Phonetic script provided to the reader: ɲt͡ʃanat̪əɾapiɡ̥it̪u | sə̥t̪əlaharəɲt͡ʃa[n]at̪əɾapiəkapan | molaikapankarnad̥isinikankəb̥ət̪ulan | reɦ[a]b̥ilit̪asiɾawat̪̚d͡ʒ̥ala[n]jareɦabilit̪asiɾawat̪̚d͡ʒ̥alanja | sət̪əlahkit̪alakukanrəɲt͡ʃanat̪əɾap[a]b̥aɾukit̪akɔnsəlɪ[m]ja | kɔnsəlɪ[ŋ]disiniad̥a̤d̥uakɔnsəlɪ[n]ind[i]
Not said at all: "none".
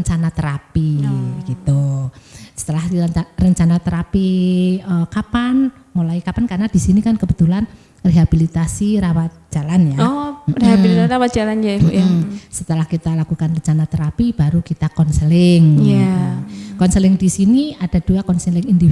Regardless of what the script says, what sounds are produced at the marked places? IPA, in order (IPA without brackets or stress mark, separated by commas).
n, a, n, i, ŋ, ŋ, ŋ, i